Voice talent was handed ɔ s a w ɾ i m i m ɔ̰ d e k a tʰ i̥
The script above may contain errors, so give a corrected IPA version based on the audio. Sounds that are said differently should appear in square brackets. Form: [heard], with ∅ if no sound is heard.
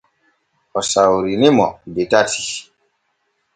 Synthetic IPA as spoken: ɔ s a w ɾ i [n] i m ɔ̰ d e [t] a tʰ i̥